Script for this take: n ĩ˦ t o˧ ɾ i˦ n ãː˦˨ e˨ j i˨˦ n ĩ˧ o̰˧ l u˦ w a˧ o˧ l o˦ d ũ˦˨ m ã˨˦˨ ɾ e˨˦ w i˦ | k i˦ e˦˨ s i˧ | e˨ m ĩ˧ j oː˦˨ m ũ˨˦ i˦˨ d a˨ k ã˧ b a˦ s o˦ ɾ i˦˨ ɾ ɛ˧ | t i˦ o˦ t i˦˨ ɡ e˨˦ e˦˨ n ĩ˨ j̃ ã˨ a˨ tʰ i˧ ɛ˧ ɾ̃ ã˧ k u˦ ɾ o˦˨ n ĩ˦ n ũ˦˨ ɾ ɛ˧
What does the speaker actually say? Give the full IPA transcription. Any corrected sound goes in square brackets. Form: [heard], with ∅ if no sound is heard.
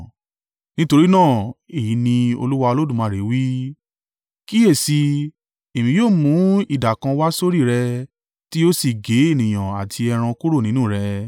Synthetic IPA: n ĩ˦ t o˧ ɾ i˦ n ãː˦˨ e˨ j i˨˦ n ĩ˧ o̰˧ l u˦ w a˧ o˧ l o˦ d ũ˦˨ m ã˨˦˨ ɾ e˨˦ w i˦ | k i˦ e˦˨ s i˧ | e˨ m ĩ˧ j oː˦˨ m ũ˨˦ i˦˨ d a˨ k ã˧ [w] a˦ s o˦ ɾ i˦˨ ɾ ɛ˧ | t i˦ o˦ [s] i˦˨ ɡ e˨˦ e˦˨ n ĩ˨ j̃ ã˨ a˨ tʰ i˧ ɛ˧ ɾ̃ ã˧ k u˦ ɾ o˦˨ n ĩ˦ n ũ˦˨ ɾ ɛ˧